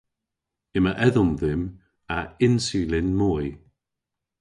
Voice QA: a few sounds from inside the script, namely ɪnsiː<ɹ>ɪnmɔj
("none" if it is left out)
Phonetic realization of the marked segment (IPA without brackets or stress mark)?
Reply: l